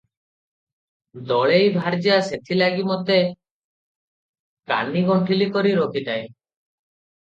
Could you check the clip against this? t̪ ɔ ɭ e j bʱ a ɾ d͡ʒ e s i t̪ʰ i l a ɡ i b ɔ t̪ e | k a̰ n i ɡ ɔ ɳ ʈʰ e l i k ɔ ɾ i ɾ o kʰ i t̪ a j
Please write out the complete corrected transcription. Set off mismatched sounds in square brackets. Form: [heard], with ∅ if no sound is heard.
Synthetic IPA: [d̪] ɔ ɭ e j bʱ a ɾ d͡ʒ [a] s [e] t̪ʰ i l a ɡ i [m] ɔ t̪ e | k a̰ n i ɡ ɔ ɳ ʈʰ [i] l i k ɔ ɾ i ɾ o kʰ i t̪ a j